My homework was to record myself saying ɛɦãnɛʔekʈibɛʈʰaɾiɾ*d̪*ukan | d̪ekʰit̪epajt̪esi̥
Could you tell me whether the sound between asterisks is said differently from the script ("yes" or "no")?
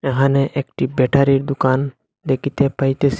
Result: no